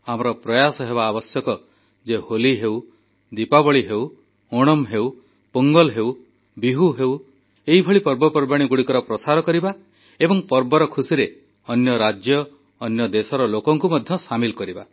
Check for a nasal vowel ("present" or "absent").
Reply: absent